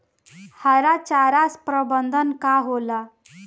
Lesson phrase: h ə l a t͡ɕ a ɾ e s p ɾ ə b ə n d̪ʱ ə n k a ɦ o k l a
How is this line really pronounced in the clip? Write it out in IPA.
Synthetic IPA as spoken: h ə ɾ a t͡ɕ a ɾ a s p ɾ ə b ə n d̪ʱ ə n k a ɦ o l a